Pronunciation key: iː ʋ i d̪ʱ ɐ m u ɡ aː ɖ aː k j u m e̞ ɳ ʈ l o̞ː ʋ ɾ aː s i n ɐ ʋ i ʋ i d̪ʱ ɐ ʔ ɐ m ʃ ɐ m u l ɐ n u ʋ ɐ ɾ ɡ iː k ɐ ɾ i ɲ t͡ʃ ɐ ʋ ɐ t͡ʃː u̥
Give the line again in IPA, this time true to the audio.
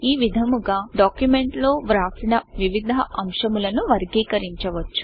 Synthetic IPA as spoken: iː ʋ i d̪ʱ ɐ m u ɡ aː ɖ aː k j u m e̞ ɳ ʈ l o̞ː ʋ ɾ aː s i n ɐ ʋ i ʋ i d̪ʱ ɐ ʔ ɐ m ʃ ɐ m u l ɐ n u ʋ ɐ ɾ ɡ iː k ɐ ɾ i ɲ t͡ʃ ɐ ʋ ɐ t͡ʃː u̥